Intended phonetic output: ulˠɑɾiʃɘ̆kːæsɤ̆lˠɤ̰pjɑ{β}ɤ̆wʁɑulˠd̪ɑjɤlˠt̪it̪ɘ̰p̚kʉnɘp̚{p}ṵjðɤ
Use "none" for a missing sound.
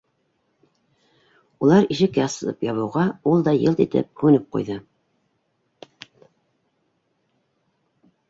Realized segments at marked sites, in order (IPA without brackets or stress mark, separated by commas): β, q